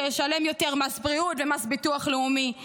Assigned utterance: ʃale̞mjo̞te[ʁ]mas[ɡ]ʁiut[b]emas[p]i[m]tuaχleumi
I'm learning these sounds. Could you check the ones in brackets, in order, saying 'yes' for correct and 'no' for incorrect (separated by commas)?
yes, no, no, no, no